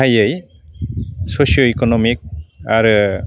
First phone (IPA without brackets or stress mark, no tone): a